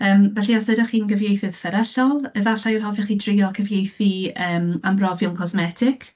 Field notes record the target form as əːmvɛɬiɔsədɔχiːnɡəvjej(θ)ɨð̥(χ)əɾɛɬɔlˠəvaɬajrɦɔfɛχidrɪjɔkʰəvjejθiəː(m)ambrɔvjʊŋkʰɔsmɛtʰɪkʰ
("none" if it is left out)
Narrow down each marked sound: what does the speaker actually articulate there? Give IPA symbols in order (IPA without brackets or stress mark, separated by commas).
θ, f, m